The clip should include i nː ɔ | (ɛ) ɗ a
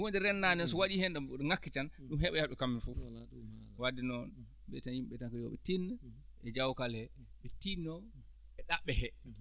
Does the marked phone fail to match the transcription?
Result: no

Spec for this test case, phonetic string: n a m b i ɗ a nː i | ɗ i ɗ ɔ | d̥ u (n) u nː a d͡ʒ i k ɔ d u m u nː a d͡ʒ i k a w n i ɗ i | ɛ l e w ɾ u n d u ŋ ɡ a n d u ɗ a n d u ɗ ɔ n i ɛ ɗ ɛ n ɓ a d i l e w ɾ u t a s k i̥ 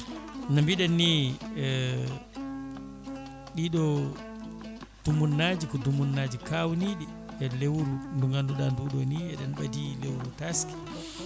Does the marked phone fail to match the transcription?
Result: yes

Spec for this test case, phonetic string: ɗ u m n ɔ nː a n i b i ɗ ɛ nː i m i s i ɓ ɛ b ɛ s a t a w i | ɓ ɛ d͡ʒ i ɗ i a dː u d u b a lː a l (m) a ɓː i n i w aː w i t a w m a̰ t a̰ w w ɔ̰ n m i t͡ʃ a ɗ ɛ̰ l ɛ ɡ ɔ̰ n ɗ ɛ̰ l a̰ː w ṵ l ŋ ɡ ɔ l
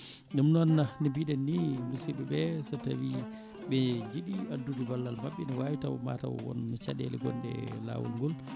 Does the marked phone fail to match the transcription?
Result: no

